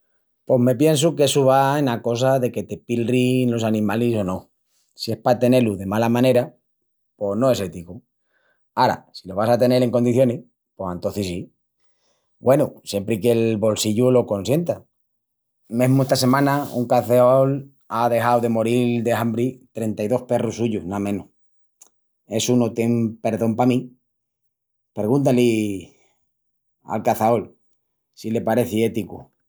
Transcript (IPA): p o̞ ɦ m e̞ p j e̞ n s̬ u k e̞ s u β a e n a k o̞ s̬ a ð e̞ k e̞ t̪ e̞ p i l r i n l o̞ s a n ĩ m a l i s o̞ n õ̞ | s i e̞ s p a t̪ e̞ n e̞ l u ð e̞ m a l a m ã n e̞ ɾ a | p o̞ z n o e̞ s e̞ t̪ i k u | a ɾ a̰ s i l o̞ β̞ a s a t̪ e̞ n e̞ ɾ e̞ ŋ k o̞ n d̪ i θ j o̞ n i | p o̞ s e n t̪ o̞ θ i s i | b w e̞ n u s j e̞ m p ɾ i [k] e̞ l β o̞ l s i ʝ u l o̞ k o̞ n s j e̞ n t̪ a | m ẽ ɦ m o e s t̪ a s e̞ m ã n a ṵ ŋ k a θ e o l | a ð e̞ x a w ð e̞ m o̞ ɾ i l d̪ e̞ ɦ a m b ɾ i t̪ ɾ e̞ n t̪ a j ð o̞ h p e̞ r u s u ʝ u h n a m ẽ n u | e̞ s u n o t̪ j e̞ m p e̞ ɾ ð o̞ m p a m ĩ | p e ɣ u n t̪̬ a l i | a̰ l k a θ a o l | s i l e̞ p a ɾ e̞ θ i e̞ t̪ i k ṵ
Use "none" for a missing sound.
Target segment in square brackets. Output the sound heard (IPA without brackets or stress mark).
k